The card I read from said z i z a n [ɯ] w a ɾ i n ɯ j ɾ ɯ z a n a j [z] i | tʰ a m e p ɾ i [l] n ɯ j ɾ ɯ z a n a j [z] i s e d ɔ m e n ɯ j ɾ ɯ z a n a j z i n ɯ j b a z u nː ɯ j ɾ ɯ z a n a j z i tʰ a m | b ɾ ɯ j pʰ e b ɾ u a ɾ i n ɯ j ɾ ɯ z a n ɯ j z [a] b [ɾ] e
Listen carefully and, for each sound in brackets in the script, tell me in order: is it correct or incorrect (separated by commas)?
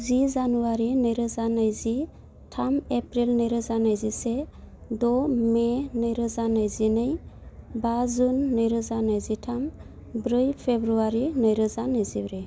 incorrect, correct, correct, correct, incorrect, correct